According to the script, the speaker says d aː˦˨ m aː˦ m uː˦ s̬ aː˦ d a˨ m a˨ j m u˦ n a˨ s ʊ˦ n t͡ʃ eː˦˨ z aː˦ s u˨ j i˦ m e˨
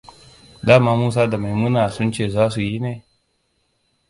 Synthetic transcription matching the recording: d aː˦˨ m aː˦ m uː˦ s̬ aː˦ d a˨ m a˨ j m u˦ n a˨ s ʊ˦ n t͡ʃ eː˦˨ z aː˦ s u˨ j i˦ n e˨